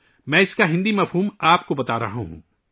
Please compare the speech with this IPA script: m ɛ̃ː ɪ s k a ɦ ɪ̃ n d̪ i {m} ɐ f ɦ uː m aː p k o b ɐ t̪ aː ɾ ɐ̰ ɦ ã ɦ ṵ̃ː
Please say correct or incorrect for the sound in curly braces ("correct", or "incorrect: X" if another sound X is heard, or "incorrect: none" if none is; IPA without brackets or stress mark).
correct